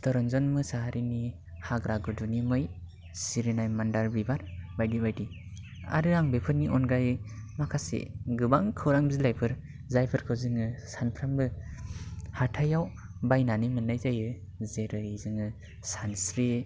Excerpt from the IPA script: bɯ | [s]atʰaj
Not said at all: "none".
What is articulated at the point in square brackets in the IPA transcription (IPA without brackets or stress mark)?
h